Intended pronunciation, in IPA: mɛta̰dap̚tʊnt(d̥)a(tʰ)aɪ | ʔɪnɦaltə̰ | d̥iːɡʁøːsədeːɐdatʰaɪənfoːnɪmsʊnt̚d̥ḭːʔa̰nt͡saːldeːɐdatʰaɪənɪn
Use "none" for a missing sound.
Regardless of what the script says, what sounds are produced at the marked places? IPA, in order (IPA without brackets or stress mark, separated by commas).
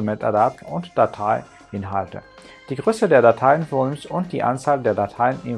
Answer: d̥, tʰ